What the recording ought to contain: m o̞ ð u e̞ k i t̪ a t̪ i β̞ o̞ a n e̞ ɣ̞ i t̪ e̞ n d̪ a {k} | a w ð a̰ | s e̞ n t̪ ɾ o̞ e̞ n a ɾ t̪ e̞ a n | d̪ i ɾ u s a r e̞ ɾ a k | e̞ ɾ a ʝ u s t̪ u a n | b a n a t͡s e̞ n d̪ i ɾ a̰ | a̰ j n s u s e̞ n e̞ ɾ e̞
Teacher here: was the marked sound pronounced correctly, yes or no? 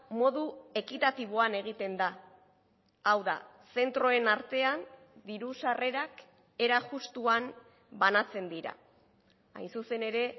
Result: no